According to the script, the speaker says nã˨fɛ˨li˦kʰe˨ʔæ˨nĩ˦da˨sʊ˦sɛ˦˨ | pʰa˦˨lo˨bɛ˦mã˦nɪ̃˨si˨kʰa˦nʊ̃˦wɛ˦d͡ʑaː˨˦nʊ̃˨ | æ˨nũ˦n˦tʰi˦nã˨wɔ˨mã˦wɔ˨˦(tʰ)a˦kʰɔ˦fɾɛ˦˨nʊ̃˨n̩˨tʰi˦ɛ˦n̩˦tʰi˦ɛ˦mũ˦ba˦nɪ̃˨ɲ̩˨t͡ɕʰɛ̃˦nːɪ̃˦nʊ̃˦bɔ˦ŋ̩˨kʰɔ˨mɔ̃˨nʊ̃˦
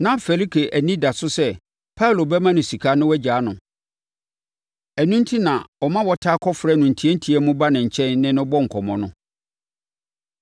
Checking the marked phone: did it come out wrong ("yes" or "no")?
no